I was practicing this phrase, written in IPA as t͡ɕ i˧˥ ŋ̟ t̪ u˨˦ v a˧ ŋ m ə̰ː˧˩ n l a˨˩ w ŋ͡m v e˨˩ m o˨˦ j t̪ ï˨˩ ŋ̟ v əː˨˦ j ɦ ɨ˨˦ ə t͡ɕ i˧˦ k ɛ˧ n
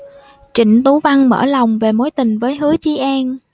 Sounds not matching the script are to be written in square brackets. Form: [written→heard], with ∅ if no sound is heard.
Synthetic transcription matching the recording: t͡ɕ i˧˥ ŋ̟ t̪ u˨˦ v a˧ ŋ m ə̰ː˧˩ [n→∅] l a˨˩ w ŋ͡m v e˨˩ m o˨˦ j t̪ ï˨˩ ŋ̟ v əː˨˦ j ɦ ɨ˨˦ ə t͡ɕ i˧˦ [k→ʔ] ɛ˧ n